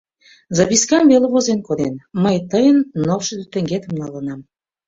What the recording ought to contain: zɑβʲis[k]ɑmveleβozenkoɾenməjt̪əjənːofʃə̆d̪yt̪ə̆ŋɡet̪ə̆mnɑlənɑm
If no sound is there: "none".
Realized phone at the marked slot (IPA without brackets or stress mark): k